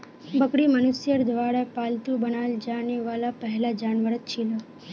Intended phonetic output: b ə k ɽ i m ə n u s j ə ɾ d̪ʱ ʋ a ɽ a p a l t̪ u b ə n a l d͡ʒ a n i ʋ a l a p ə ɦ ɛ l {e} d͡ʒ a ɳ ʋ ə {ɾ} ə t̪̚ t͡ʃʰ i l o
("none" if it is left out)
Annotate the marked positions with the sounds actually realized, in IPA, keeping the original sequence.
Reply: a, ɾ

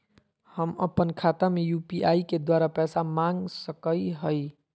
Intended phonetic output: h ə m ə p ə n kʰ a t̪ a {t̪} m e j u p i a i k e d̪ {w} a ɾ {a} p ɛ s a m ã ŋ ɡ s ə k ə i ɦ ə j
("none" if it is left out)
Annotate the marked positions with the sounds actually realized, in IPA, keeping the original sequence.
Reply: none, w, a

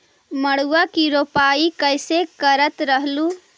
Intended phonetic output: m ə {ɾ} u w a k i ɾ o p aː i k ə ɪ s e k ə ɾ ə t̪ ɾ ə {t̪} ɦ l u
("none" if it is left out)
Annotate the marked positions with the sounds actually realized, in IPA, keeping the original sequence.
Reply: ɽ, none

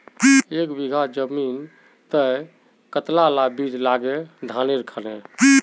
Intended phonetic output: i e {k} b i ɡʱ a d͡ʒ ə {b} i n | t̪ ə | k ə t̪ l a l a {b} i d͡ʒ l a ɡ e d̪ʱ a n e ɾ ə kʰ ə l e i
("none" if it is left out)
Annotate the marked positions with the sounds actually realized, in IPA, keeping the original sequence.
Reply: k, m, b

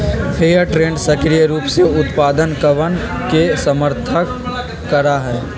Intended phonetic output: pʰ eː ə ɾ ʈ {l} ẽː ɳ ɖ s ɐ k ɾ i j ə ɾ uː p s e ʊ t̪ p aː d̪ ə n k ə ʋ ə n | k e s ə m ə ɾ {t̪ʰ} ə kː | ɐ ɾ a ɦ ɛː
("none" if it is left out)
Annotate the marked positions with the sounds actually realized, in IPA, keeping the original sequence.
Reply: ɾ, t̪ʰ

